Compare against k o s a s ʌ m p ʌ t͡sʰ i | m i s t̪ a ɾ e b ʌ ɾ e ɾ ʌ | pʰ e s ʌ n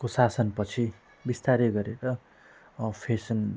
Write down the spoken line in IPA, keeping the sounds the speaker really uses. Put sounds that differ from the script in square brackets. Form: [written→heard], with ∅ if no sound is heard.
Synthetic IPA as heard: k o s a s ʌ [m→n] p ʌ t͡sʰ i | [m→b] i s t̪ a ɾ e [b→ɡ] ʌ ɾ e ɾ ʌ | pʰ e s ʌ n